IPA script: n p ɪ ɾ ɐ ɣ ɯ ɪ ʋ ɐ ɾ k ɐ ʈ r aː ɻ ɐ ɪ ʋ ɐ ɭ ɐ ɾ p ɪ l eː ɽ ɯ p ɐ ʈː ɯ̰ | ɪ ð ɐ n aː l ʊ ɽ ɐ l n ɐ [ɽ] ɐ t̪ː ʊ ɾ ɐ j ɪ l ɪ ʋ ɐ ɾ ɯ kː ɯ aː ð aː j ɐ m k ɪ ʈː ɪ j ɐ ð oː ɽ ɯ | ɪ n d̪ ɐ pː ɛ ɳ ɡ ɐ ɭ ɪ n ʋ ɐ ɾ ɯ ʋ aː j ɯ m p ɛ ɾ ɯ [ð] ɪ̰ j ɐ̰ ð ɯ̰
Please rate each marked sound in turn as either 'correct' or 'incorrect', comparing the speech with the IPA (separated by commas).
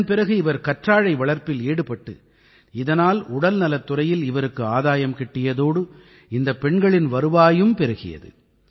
incorrect, incorrect